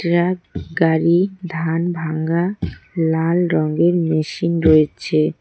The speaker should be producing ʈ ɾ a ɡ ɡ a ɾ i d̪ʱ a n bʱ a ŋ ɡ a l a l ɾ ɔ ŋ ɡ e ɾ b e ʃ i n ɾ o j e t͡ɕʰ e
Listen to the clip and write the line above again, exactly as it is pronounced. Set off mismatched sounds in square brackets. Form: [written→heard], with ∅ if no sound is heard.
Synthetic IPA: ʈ ɾ a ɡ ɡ a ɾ i d̪ʱ a n bʱ a ŋ ɡ a l a l ɾ ɔ ŋ ɡ e ɾ [b→m] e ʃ i n ɾ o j e t͡ɕʰ e